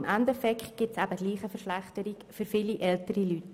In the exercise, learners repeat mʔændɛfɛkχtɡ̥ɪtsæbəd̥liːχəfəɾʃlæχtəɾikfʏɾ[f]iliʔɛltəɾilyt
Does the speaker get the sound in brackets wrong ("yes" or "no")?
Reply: no